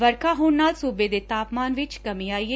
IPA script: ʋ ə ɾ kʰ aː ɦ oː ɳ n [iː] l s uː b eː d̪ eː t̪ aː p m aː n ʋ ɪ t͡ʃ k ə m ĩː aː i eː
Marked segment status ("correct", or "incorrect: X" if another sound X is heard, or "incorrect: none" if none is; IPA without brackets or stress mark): incorrect: aː